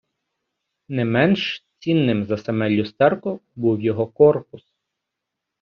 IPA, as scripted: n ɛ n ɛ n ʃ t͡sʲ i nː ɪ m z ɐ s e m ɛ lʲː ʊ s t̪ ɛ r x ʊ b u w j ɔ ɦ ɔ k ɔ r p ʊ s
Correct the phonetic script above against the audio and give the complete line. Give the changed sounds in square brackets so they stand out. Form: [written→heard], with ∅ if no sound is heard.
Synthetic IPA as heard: n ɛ [n→m] ɛ n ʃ t͡sʲ i nː ɪ m z ɐ s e m ɛ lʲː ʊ s t̪ ɛ r [x→k] ʊ b u w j ɔ ɦ ɔ k ɔ r p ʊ s